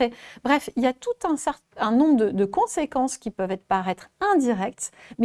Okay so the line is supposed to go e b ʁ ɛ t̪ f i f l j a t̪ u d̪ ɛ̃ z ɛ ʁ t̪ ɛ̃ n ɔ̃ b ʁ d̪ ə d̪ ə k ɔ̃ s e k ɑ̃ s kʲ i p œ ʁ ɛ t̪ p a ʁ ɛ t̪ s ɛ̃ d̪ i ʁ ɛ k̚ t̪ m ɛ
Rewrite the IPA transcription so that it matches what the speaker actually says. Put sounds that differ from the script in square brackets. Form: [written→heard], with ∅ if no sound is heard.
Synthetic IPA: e b ʁ ɛ [t̪→∅] f i [f→∅] l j a t̪ u [d̪→t̪] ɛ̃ [z→s] ɛ ʁ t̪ ɛ̃ n ɔ̃ b ʁ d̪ ə d̪ ə k ɔ̃ s e k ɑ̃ s kʲ i p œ [ʁ→v] ɛ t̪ p a ʁ ɛ t̪ [s→χ] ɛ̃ d̪ i ʁ ɛ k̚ t̪ m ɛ